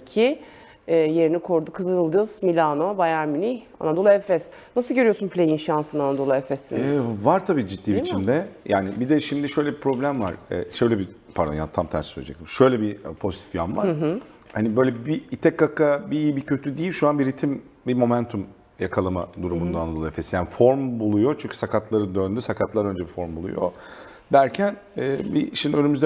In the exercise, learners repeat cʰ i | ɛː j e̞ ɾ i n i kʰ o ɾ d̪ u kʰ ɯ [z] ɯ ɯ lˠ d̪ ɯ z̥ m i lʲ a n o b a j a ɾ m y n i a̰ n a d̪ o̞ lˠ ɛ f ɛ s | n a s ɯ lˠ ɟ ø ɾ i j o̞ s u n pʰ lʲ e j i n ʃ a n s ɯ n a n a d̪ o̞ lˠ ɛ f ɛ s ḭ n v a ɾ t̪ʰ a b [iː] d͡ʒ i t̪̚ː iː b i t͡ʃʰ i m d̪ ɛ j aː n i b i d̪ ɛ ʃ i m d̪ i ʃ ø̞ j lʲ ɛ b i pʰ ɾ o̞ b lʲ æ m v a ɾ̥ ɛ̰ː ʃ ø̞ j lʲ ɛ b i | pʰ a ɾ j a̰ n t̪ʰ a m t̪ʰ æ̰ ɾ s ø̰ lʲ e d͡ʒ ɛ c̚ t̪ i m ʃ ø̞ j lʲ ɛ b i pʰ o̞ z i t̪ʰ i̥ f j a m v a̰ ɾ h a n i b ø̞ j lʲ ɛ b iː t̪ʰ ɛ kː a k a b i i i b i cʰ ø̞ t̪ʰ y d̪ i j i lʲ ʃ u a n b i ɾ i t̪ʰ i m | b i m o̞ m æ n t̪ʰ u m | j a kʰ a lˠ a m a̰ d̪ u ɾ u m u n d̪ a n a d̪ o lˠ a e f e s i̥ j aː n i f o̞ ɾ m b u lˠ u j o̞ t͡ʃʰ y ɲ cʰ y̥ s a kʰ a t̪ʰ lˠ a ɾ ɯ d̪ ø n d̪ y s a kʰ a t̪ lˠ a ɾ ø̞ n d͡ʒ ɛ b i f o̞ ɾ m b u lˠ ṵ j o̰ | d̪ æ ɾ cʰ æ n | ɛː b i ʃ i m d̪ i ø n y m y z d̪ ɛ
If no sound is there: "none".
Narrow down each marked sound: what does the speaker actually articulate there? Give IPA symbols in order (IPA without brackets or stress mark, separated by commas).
z, iː